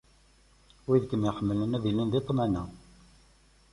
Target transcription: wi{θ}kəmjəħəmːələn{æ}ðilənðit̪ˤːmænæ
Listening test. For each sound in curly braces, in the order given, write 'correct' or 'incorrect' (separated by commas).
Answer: incorrect, correct